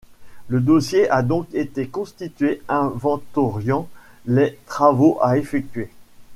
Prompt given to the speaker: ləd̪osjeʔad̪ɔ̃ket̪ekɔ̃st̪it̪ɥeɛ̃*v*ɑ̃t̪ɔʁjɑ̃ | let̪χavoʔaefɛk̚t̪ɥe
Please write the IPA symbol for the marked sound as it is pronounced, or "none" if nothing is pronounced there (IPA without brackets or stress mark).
v